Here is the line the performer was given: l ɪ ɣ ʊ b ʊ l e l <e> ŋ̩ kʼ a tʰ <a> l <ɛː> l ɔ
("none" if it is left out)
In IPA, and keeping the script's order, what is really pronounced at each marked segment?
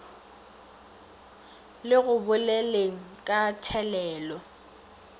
e, ɛ, ɛː

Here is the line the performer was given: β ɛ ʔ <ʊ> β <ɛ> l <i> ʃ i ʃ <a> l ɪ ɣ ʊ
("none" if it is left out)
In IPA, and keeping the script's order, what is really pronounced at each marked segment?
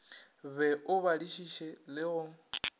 ʊ, a, i, ɛ

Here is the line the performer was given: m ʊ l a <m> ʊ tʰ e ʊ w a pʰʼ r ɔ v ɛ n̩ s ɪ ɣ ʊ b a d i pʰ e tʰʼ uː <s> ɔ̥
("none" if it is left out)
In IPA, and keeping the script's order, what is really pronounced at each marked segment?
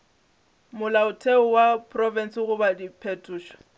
none, ʃ

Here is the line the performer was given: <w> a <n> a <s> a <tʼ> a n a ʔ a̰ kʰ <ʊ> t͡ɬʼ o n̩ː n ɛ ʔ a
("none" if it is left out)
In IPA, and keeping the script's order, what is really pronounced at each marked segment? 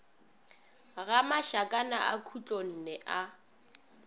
ɣ, m, ʃ, kʼ, u

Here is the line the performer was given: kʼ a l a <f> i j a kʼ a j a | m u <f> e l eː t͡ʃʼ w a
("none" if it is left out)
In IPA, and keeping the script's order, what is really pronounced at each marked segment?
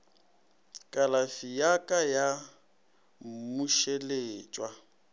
f, ʃ

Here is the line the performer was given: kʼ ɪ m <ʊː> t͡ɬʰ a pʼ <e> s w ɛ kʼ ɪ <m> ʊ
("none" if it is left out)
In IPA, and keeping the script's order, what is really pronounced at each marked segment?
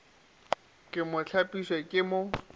ʊ, i, m

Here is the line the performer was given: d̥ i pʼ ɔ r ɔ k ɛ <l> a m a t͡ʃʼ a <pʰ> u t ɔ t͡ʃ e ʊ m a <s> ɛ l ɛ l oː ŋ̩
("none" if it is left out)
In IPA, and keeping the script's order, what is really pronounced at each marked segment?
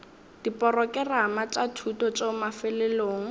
r, tʰ, f

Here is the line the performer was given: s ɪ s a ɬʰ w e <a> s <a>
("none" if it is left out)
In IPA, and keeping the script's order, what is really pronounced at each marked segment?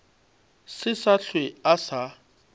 a, a

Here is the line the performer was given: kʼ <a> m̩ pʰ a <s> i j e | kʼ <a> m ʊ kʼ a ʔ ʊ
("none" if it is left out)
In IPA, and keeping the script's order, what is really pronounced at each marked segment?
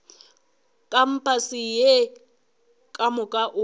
a, s, a

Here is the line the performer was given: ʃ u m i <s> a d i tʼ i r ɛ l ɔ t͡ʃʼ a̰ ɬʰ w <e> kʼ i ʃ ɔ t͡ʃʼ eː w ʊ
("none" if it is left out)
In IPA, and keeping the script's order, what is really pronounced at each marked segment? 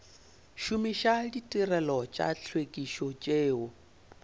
ʃ, e

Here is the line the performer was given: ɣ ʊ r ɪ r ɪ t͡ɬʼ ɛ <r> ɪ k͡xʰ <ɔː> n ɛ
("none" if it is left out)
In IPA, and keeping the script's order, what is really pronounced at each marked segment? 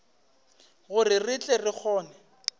r, ɔː

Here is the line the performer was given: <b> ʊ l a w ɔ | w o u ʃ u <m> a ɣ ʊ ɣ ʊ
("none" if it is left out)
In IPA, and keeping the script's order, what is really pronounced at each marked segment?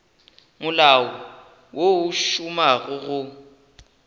m, m

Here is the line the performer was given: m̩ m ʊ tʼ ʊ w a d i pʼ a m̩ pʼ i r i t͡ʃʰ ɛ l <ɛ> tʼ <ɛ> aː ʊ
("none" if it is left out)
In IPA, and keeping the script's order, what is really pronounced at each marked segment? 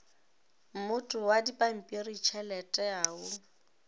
ɛ, ɛ

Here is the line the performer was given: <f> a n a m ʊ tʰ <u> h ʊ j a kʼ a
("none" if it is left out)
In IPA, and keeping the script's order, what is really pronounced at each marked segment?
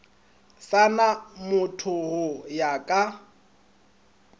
s, ʊ

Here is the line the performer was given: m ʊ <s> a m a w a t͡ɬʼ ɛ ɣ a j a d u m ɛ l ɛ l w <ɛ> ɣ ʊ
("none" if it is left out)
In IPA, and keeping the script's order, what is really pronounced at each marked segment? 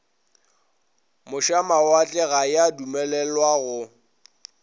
ʃ, a

